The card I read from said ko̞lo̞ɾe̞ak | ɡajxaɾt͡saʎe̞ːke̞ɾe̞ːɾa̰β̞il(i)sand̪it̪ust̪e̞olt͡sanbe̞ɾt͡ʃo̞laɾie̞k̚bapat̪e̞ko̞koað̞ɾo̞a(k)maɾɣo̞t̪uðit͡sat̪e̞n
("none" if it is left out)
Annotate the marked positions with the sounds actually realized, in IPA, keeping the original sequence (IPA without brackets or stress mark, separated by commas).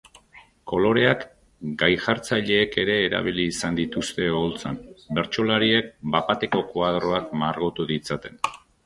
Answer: iː, k